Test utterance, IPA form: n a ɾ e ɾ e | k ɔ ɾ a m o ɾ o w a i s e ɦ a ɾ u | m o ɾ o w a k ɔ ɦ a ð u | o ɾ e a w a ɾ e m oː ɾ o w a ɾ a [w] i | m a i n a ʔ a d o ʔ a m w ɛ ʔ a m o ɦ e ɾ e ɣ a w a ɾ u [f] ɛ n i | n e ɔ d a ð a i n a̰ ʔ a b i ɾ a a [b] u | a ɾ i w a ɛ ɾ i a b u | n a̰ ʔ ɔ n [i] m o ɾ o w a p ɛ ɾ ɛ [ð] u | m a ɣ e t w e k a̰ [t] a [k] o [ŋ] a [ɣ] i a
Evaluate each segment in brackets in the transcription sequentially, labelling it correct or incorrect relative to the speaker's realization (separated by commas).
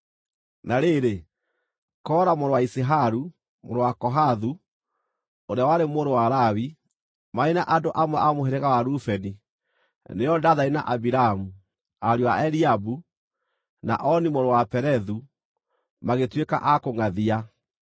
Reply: correct, correct, incorrect, correct, correct, incorrect, correct, correct, incorrect